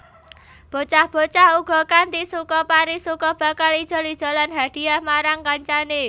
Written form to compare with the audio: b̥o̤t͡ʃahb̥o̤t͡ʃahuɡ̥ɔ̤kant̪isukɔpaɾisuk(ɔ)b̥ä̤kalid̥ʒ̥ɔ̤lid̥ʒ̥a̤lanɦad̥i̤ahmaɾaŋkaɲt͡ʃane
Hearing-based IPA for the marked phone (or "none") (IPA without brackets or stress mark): ɔ